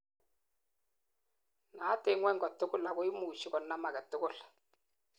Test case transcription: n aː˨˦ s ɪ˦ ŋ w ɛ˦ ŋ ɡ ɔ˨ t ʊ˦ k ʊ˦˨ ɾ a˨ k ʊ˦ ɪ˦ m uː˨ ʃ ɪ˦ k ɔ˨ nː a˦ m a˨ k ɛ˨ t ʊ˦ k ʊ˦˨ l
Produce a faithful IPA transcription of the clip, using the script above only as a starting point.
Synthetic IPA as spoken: n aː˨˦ t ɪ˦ ŋ w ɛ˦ ŋ ɡ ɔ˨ t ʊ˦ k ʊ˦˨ l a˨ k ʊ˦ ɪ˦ m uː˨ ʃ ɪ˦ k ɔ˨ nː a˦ m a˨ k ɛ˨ t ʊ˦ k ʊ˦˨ l

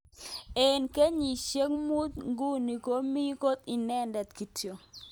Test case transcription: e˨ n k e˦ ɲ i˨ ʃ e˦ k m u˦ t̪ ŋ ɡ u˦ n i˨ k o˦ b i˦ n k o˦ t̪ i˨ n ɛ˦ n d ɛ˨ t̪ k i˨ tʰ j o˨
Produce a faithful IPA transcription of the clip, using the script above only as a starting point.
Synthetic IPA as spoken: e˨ n k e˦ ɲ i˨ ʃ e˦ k m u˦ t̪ ŋ ɡ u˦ n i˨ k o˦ m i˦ k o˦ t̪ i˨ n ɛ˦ n d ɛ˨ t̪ k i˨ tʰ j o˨

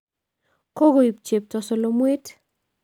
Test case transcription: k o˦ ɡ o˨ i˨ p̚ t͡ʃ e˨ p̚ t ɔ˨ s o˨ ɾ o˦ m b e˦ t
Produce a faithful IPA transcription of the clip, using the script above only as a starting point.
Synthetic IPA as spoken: k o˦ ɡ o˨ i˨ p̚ t͡ʃ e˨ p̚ t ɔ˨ s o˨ l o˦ m w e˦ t

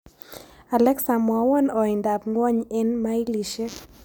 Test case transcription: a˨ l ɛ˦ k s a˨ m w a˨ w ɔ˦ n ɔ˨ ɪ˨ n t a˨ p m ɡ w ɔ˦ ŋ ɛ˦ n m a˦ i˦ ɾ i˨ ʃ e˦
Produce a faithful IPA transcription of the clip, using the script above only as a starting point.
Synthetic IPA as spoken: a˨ l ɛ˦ k s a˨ m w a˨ w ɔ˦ n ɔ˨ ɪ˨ n d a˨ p ŋ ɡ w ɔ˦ ɲ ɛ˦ n m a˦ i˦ l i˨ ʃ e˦

